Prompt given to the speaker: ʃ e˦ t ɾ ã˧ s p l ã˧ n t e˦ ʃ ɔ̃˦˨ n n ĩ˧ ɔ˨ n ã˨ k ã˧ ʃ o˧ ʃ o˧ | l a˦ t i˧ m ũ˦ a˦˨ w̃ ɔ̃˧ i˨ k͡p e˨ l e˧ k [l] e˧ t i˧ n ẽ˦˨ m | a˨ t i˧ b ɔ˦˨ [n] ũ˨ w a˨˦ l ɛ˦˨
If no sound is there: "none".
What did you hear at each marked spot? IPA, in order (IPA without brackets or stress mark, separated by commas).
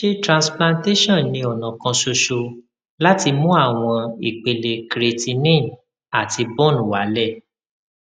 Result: ɾ, n